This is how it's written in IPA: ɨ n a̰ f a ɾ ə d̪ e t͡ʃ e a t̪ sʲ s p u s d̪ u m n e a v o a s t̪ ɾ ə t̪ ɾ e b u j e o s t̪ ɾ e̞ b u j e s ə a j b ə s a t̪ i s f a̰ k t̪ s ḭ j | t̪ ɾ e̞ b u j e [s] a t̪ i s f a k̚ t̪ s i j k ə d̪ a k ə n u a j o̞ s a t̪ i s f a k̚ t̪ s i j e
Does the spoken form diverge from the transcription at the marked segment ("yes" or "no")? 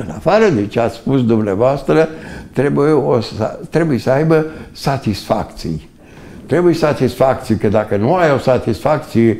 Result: no